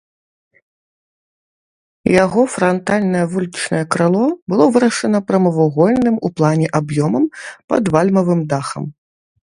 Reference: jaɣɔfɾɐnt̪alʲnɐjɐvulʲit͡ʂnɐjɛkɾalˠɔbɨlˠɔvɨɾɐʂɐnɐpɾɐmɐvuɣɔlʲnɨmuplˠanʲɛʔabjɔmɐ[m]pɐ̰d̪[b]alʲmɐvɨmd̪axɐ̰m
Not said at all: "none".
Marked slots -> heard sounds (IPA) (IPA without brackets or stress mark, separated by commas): m, v